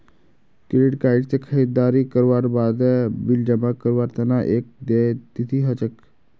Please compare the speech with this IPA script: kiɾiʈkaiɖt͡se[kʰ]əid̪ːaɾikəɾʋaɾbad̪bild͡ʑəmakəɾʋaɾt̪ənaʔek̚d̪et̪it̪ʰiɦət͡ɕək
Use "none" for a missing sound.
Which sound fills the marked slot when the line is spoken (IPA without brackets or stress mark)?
kʰ